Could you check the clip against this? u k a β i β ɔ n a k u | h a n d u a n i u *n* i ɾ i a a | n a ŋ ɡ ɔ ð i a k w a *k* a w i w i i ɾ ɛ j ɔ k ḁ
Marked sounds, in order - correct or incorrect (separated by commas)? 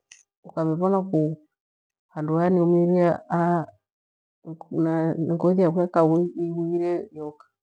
incorrect, correct